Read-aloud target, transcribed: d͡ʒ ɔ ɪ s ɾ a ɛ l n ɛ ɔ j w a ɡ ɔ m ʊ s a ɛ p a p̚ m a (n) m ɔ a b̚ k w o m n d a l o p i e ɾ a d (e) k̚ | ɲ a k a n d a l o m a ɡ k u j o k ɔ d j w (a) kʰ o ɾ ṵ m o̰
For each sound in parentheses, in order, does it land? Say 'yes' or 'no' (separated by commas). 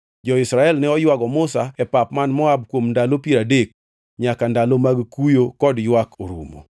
yes, yes, yes